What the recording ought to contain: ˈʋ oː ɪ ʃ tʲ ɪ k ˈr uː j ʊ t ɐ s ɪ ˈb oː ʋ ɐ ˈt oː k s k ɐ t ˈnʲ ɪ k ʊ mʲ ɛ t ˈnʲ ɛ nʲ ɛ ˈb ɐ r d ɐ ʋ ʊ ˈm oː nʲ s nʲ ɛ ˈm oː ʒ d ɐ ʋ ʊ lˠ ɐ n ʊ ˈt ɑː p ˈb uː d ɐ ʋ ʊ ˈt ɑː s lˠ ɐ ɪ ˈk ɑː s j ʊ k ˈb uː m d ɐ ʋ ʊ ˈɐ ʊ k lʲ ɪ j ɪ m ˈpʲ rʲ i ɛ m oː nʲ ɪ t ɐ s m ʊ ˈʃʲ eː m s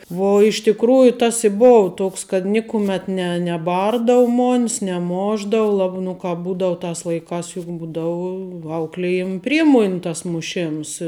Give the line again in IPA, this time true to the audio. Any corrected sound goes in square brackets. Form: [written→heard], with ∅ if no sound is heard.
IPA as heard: ˈʋ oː ɪ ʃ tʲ ɪ k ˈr uː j ʊ t ɐ s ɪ ˈb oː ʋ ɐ ˈt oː k s k ɐ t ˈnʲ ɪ k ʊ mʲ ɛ t ˈnʲ ɛ nʲ ɛ ˈb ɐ r d ɐ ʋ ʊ ˈm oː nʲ s nʲ ɛ ˈm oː ʒ d ɐ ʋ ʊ lˠ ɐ n ʊ [ˈt→ˈk] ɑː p ˈb uː d ɐ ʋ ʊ ˈt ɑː s lˠ ɐ ɪ ˈk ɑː s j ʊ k ˈb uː [m→∅] d ɐ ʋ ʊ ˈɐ ʊ k lʲ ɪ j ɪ m ˈpʲ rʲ i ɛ m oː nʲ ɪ t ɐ s m ʊ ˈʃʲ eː m s